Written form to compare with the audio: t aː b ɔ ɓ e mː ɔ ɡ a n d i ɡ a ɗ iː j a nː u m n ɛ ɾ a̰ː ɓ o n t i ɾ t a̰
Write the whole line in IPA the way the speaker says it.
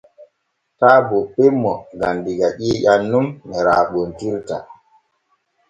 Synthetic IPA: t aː b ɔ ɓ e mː ɔ ɡ a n d i ɡ a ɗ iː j a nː u m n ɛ ɾ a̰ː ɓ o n t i ɾ t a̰